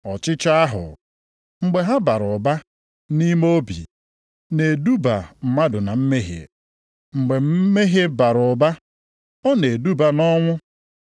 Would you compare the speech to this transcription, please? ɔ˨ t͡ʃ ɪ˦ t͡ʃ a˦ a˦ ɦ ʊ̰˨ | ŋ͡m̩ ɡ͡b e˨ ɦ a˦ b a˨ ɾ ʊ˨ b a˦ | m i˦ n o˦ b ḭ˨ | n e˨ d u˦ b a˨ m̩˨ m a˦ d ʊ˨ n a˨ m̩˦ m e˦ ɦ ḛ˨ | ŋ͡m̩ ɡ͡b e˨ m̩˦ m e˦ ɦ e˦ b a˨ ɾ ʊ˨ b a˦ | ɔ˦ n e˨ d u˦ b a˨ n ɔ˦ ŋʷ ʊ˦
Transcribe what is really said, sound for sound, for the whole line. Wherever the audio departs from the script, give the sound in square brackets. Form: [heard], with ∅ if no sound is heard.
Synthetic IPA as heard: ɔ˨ t͡ʃ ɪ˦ t͡ʃ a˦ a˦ ɦ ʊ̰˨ | ŋ͡m̩ ɡ͡b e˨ ɦ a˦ b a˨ ɾ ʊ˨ b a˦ | [n] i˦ [m] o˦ b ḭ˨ | n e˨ d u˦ b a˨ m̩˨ m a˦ d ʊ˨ n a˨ m̩˦ m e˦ ɦ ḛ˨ | ŋ͡m̩ ɡ͡b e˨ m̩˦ m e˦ ɦ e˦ b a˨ ɾ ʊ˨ b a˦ | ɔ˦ n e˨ d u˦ b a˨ n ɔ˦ ŋʷ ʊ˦

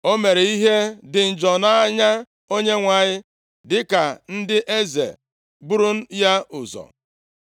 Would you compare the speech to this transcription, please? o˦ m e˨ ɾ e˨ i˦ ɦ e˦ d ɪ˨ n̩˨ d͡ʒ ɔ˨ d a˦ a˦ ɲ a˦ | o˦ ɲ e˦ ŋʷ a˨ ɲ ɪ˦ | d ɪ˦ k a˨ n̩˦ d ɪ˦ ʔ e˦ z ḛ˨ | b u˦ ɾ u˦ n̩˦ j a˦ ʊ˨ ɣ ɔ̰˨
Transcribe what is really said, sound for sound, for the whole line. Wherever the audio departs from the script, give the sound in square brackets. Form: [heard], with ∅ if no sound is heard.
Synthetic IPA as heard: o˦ m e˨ ɾ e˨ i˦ ɦ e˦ d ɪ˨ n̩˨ d͡ʒ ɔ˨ [n] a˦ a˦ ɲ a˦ | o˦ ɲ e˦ ŋʷ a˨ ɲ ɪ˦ | d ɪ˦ k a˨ n̩˦ d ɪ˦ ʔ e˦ z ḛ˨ | b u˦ ɾ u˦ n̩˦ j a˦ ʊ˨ [z] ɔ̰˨

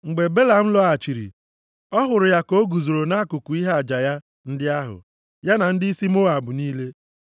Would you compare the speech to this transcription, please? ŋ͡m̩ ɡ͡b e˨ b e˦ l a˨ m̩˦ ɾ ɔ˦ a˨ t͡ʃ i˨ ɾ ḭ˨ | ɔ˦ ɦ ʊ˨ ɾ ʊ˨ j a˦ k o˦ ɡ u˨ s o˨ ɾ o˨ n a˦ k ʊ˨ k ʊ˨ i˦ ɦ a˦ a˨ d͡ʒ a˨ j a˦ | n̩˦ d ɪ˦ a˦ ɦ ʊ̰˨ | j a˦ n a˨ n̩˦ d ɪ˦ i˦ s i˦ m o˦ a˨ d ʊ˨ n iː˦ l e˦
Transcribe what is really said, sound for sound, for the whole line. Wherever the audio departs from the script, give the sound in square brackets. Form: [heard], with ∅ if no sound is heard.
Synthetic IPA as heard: ŋ͡m̩ ɡ͡b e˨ b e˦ l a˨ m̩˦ [l] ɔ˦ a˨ t͡ʃ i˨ ɾ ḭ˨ | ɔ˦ ɦ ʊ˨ ɾ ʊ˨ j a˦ k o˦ ɡ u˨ [z] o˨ ɾ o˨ n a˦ k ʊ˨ k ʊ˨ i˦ ɦ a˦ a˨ d͡ʒ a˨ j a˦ | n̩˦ d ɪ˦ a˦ ɦ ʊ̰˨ | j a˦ n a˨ n̩˦ d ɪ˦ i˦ s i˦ m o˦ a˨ [b] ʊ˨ n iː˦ l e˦

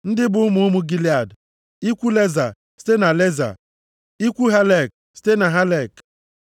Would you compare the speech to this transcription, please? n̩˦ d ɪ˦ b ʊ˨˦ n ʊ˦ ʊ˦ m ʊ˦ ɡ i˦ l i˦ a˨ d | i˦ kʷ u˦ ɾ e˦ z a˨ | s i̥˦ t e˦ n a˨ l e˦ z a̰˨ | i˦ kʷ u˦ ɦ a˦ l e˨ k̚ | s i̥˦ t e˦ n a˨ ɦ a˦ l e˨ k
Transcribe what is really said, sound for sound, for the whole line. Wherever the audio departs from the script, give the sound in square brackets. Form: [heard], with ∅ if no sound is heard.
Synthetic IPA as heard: n̩˦ d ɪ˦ b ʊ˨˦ [m] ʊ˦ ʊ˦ m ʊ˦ ɡ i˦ l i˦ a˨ d | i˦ kʷ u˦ [l] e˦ z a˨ | s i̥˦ t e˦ n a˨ l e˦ z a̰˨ | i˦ kʷ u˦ ɦ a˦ l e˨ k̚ | s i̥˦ t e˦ n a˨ ɦ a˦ l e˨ k

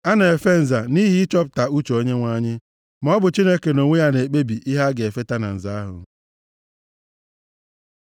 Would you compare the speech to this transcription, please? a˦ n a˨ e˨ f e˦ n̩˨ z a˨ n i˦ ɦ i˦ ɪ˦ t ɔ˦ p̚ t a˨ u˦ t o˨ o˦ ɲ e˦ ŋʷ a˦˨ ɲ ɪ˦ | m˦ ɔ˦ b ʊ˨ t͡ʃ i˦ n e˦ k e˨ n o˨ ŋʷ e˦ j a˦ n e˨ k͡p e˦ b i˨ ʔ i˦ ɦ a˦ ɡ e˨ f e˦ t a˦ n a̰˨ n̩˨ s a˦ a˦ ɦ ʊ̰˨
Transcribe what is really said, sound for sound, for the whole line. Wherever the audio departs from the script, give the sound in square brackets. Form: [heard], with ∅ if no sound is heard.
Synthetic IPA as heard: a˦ n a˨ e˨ f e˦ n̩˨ z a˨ n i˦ ɦ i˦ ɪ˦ [t͡ʃ] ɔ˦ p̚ t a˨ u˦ [t͡ʃ] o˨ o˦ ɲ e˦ ŋʷ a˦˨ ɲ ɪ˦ | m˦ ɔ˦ b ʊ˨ t͡ʃ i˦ n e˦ k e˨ n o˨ ŋʷ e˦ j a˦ n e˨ k͡p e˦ b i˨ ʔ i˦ ɦ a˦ ɡ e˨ f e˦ t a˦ n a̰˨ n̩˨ [z] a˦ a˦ ɦ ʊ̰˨

